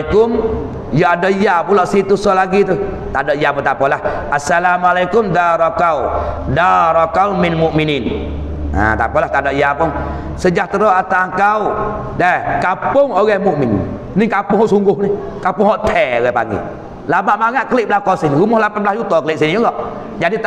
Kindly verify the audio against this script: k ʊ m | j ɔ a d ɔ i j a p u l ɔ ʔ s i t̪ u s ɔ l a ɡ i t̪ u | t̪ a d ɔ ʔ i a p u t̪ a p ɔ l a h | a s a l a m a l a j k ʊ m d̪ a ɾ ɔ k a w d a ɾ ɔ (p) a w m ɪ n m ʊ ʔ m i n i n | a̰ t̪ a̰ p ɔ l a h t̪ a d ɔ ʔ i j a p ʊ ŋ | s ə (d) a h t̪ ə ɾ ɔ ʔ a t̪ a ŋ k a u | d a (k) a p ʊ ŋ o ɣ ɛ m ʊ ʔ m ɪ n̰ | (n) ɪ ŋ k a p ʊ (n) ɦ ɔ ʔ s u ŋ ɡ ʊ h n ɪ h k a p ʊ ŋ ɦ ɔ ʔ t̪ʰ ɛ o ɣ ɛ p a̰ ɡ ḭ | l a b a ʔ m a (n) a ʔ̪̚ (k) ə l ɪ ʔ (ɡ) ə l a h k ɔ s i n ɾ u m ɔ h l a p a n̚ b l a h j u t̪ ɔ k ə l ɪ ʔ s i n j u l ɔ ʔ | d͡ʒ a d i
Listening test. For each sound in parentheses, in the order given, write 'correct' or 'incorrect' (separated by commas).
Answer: incorrect, incorrect, correct, correct, incorrect, incorrect, correct, incorrect